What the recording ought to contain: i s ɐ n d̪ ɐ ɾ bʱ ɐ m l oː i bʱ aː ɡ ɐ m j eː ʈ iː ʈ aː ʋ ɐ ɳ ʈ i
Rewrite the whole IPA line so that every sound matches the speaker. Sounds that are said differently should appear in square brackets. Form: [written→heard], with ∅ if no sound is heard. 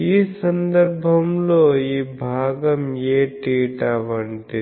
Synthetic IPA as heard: i s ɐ n d̪ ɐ ɾ bʱ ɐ m l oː i bʱ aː ɡ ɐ m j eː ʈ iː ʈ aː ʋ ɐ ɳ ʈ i